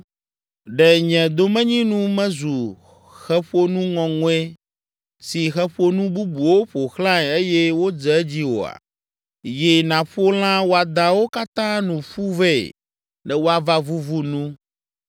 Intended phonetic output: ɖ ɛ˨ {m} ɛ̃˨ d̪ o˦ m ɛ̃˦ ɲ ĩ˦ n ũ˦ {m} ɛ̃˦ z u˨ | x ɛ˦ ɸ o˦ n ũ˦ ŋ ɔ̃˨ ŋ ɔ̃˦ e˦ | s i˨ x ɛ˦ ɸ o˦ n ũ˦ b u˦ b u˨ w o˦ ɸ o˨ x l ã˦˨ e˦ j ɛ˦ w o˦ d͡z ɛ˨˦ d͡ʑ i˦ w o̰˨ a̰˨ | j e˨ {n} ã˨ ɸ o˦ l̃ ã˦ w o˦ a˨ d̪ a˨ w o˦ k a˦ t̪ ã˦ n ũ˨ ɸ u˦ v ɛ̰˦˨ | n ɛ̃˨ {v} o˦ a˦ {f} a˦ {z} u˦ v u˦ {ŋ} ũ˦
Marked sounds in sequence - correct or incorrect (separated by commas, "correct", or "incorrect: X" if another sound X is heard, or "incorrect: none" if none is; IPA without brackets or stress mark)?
incorrect: ɲ, correct, correct, incorrect: w, incorrect: v, incorrect: v, incorrect: n